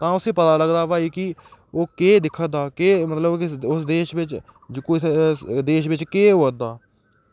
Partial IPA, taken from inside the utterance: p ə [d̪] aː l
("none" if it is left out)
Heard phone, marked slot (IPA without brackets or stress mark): t̪